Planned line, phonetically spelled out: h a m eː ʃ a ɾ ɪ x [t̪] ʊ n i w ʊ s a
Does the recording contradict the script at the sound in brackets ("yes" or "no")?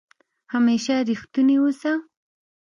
no